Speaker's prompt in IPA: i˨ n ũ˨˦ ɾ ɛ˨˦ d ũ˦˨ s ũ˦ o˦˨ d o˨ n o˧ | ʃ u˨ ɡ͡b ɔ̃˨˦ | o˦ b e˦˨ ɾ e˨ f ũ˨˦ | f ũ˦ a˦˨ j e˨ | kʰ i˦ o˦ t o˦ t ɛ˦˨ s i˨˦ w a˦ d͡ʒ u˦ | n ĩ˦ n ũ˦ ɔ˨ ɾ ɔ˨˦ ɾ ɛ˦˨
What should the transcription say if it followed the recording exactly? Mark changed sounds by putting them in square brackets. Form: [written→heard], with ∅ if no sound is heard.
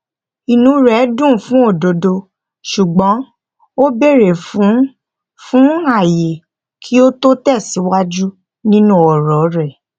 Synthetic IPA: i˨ n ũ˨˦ ɾ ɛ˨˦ d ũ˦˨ [s→f] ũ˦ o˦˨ d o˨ [n→d] o˧ | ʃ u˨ ɡ͡b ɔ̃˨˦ | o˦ b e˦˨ ɾ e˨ f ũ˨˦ | f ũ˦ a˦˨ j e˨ | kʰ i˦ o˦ t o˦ t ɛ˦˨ s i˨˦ w a˦ d͡ʒ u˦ | n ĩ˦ n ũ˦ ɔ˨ ɾ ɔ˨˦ ɾ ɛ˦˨